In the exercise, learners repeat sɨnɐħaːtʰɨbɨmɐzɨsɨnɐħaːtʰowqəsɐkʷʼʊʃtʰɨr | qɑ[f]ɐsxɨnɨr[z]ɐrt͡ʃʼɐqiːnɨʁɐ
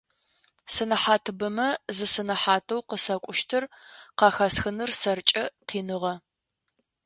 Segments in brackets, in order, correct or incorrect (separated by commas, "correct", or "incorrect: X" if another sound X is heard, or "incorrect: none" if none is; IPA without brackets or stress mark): incorrect: x, incorrect: s